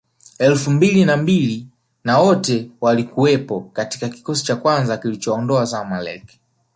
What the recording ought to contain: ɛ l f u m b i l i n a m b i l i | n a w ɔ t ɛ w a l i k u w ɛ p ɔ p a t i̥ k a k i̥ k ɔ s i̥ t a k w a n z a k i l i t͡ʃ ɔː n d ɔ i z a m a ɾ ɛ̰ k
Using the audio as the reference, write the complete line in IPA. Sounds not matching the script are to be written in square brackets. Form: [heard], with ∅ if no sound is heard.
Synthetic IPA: ɛ l f u m b i l i n a m b i l i | n a w ɔ t ɛ w a l i k u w ɛ p ɔ [k] a t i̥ k a k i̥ k ɔ s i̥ [t͡ʃ] a k w a n z a k i l i t͡ʃ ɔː n d ɔ [a] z a m a [l] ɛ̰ k